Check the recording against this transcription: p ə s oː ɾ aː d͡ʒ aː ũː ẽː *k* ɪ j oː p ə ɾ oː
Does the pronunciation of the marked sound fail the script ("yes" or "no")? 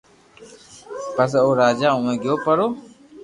yes